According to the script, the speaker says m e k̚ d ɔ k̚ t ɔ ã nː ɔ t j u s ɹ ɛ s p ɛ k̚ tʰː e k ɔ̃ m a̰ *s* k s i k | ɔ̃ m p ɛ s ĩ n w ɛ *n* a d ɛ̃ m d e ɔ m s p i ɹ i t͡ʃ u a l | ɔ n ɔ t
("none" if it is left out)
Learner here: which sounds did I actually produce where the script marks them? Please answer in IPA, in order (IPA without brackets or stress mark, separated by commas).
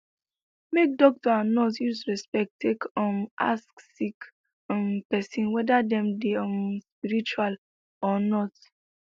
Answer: s, d